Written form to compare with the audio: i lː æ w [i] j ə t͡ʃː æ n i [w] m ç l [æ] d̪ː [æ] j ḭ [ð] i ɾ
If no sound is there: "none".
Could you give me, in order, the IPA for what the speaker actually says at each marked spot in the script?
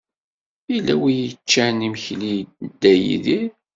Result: i, none, i, æ, ð

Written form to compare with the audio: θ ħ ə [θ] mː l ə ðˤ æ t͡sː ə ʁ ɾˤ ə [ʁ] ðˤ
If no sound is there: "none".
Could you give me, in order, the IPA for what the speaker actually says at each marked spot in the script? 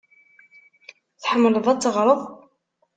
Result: none, none

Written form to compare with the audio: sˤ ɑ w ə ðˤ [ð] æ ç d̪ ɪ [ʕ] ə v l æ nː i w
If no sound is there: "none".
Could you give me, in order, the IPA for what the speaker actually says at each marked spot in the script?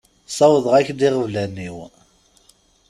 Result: ʁ, ʁ

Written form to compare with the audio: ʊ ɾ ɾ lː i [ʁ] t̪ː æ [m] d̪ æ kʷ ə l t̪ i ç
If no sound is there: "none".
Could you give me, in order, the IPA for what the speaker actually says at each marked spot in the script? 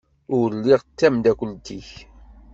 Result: ʁ, m

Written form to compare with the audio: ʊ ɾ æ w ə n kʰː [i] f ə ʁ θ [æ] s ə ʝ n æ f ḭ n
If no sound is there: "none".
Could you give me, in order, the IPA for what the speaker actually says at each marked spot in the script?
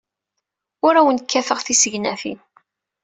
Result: æ, i

